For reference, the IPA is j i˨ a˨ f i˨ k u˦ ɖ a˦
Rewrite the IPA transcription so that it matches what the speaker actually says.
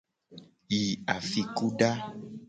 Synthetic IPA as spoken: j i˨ a˨ f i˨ k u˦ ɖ a˦